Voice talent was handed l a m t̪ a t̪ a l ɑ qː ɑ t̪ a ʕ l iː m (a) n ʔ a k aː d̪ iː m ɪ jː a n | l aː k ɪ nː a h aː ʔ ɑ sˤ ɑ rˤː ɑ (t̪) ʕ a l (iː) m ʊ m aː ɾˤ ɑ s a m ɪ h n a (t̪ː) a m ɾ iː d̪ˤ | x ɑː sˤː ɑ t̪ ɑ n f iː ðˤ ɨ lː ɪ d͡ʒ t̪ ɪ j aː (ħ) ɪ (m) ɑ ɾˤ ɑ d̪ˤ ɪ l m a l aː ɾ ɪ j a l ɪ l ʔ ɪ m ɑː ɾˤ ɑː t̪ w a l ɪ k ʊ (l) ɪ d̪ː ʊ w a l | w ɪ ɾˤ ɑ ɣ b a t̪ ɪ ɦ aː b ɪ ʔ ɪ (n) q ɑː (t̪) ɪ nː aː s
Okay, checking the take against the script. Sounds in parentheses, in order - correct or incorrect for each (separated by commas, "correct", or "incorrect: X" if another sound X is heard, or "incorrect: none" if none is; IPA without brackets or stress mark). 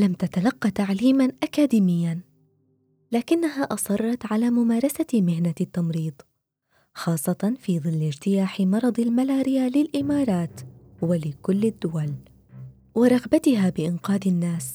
correct, correct, incorrect: aː, correct, correct, correct, incorrect: lː, correct, incorrect: d̪